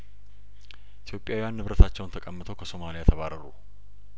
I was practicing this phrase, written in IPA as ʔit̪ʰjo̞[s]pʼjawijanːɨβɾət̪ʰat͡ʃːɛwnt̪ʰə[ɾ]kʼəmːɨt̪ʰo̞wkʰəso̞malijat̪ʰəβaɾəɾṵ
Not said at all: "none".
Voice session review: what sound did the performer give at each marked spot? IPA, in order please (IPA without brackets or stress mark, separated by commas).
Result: none, none